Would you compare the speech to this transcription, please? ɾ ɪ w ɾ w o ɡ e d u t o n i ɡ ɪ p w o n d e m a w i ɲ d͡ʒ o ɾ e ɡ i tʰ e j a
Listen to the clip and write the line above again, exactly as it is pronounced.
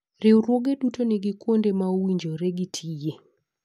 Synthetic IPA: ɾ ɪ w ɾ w o ɡ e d u t o n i ɡ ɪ k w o n d e m a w i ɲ d͡ʒ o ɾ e ɡ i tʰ i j e